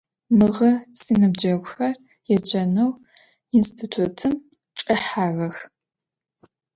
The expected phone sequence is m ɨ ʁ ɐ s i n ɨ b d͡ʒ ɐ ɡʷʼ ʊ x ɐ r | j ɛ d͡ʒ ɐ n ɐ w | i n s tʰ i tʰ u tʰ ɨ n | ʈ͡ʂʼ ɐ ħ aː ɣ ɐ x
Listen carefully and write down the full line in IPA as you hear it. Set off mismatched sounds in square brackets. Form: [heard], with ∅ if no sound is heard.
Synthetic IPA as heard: m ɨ ʁ ɐ s i n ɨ b d͡ʒ ɐ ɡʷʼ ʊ x ɐ r | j ɛ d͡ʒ ɐ n ɐ w | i n s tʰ i tʰ u tʰ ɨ [m] | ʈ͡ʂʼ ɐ ħ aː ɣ ɐ x